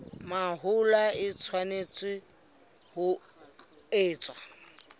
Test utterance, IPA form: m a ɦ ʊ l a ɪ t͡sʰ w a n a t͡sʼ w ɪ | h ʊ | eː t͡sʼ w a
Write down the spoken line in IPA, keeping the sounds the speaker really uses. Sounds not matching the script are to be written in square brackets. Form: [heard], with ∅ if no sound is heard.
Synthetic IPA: m a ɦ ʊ l a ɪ t͡sʰ w a n [e] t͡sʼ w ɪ | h ʊ | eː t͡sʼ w a